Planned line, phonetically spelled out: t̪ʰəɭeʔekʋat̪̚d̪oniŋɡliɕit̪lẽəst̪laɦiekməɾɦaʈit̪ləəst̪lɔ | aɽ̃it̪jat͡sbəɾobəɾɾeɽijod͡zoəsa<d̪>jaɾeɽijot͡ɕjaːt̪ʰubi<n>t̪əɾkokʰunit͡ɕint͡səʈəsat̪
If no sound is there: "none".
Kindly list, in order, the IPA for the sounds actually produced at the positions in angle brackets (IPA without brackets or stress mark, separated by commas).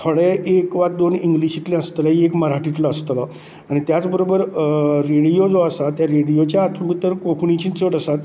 t̪, none